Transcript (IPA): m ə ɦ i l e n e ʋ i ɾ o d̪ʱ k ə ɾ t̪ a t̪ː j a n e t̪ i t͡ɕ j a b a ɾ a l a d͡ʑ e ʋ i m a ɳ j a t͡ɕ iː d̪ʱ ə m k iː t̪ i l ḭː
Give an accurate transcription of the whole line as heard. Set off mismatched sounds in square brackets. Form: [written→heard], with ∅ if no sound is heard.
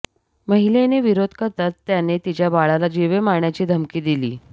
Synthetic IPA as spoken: m ə ɦ i l e n e ʋ i ɾ o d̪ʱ k ə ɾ t̪ a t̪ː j a n e t̪ i t͡ɕ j a b a [ɾ→ɭ] a l a d͡ʑ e ʋ [i→e] m a ɳ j a t͡ɕ iː d̪ʱ ə m k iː [t̪→d̪] i l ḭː